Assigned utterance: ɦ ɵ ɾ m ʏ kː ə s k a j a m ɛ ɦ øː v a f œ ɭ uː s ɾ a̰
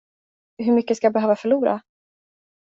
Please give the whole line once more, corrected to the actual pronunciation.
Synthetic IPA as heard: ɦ ɵ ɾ m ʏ kː ə s k a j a b ɛ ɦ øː v a f œ ɭ uː ɾ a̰

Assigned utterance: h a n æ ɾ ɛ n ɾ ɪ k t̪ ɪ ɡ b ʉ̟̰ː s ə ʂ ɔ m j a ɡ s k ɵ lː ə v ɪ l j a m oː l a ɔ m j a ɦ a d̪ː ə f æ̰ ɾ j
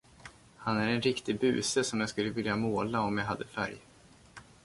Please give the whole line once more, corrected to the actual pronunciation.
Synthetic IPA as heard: h a n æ ɾ ɛ n ɾ ɪ k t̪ ɪ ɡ b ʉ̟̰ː s ə s ɔ m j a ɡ s k ɵ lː ə v ɪ l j a m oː l a ɔ m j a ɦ a d̪ː ə f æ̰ ɾ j

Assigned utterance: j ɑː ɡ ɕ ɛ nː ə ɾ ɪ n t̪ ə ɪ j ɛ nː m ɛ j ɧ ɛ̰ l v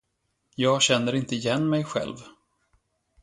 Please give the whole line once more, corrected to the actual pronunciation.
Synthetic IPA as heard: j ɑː ɡ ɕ ɛ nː ə ɾ ɪ n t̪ ə ɪ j ɛ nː m ɛ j ɧ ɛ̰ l v

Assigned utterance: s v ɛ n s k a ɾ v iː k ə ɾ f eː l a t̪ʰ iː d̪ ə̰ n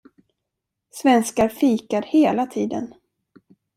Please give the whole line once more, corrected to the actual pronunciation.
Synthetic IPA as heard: s v ɛ n s k a ɾ f iː k a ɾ h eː l a t̪ʰ iː d̪ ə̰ n

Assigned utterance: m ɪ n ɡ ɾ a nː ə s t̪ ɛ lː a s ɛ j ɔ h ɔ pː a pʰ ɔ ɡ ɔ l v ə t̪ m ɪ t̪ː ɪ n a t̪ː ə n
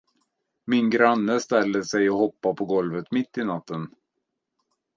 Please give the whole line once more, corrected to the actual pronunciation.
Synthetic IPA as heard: m ɪ n ɡ ɾ a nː ə s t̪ ɛ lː ə s ɛ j ɔ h ɔ pː a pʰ ɔ ɡ ɔ l v ə t̪ m ɪ t̪ː ɪ n a t̪ː ə n

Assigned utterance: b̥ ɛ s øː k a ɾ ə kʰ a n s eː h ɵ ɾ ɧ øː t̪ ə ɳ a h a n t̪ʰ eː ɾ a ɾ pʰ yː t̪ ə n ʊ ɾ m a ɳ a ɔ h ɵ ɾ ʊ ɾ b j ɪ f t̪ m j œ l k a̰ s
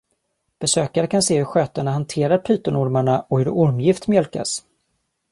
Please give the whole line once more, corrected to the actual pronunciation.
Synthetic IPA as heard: b̥ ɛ s øː k a ɾ ə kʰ a n s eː h ɵ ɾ ɧ øː t̪ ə ɳ a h a n t̪ʰ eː ɾ a ɾ pʰ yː t̪ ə n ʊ ɾ m a ɳ a ɔ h ɵ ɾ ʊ ɾ m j ɪ f t̪ m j œ l k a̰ s

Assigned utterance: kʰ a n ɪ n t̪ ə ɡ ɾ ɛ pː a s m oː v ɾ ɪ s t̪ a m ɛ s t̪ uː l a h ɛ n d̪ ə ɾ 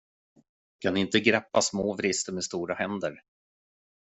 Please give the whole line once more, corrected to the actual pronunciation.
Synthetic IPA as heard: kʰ a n ɪ n t̪ ə ɡ ɾ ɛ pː a s m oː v ɾ ɪ s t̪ ə m ɛ s t̪ uː ɾ a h ɛ n d̪ ə ɾ

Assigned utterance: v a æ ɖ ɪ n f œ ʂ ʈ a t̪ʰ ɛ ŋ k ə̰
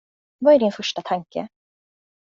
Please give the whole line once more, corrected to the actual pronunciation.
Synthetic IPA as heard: v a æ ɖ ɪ n f œ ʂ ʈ a t̪ʰ a ŋ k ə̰

